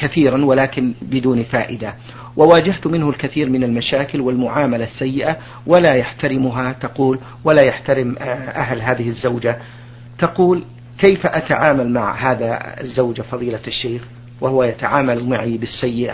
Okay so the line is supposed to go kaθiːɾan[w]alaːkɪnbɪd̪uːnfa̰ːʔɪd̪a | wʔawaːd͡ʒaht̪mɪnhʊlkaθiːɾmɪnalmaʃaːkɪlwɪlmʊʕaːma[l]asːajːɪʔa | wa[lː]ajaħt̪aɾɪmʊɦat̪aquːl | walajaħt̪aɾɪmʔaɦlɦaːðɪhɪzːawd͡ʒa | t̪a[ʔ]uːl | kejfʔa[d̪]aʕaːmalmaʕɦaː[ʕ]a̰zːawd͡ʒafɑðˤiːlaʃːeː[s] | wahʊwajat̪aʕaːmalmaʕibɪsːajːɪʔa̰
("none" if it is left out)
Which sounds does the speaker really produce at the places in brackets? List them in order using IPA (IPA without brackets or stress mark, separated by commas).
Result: w, l, l, q, t̪, ð, x